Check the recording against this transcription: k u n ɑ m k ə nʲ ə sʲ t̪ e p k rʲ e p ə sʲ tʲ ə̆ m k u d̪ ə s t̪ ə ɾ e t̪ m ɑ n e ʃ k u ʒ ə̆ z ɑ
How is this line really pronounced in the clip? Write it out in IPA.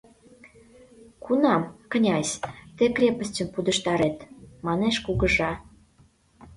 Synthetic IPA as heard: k u n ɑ m k ə nʲ ɑ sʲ t̪ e k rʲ e p ə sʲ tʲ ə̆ m p u d̪ ə ʃ t̪ ɑ ɾ e t̪ m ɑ n e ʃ k u ɣ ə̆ ʒ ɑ